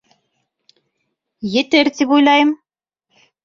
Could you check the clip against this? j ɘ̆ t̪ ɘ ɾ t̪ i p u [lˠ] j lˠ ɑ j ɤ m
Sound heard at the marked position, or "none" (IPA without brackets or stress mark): none